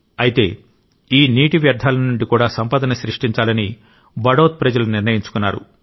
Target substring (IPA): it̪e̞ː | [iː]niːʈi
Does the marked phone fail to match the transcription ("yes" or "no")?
no